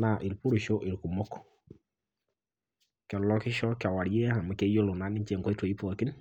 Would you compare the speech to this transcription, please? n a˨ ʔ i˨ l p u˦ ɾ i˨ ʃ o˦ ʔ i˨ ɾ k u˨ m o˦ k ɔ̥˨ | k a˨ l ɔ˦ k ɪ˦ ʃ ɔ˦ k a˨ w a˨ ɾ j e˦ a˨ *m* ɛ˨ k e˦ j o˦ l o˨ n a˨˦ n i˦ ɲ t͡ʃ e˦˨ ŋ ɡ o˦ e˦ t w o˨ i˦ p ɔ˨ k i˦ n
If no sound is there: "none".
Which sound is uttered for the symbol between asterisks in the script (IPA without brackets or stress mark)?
m